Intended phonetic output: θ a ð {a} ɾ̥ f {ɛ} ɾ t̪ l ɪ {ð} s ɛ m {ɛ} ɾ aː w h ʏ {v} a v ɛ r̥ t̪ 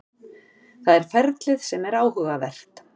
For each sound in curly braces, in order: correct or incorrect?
incorrect: ɛ, correct, correct, correct, incorrect: ɣ

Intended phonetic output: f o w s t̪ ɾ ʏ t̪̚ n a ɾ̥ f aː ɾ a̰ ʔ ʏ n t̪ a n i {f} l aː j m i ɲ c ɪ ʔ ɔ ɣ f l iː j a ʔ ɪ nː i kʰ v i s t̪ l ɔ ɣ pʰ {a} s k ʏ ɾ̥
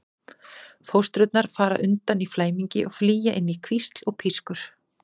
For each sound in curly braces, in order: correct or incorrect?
correct, incorrect: i

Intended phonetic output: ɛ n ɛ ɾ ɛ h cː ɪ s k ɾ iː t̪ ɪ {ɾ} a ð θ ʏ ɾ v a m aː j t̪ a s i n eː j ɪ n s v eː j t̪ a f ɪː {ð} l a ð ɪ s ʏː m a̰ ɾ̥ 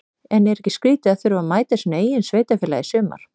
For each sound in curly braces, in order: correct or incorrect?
incorrect: none, incorrect: none

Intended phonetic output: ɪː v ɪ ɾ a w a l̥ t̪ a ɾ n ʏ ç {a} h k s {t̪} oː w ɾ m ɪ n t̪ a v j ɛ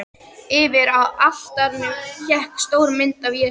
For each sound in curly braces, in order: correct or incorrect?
incorrect: ɛ, correct

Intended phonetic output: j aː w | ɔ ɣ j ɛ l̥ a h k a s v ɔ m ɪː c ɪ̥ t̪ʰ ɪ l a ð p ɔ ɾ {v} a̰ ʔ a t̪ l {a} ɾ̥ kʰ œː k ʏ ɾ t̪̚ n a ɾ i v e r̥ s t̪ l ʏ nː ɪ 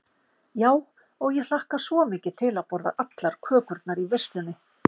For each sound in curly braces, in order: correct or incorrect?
incorrect: ð, correct

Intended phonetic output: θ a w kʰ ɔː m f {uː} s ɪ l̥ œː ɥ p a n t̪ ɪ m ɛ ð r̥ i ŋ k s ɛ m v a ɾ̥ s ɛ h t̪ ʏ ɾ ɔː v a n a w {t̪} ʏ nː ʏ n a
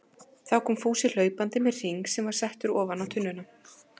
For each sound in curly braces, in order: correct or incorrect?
correct, incorrect: t̪ʰ

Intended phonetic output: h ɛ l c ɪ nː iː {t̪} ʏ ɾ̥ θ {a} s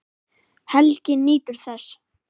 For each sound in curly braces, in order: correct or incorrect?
correct, incorrect: ɛ

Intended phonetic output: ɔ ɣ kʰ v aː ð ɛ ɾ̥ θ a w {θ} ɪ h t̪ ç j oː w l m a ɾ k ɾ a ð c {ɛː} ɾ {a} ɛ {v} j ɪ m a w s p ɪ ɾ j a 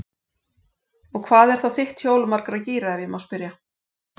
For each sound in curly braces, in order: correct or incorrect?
correct, incorrect: iː, correct, correct

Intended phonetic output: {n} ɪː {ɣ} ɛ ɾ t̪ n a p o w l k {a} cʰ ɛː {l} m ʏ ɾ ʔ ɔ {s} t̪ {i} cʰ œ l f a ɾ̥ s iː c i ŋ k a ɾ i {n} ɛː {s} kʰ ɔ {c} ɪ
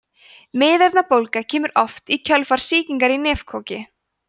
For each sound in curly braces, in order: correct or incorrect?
incorrect: m, incorrect: ð, correct, incorrect: none, incorrect: f, correct, correct, incorrect: f, correct

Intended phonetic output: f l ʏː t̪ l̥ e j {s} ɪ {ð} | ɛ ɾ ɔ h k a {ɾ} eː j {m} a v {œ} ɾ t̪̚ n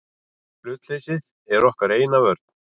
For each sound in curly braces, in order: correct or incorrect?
correct, correct, correct, incorrect: n, correct

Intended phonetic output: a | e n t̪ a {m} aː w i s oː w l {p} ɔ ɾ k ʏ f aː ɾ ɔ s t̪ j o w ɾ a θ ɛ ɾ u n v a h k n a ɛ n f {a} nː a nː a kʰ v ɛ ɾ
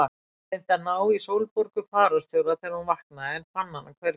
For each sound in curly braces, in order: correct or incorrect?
incorrect: n, correct, correct

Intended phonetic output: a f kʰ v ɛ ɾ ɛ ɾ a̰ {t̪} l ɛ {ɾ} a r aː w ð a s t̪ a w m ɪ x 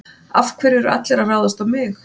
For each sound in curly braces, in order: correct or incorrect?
correct, correct

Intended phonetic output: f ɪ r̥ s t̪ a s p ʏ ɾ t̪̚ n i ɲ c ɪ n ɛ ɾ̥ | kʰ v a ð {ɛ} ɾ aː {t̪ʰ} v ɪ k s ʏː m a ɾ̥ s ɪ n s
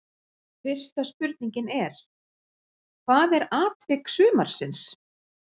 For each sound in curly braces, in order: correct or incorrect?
correct, incorrect: t̪

